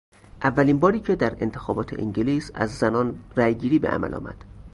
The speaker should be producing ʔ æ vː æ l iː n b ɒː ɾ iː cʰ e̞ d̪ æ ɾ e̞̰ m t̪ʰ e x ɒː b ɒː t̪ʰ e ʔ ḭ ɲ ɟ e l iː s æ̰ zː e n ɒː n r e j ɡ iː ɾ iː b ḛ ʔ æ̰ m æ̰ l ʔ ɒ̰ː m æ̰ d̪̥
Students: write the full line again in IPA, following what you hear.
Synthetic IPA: ʔ æ vː æ l iː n b ɒː ɾ iː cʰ e̞ d̪ æ ɾ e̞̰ n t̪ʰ e x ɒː b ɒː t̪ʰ e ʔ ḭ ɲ ɟ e l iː s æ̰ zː æ n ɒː n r æ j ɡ iː ɾ iː b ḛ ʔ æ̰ m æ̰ l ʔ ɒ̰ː m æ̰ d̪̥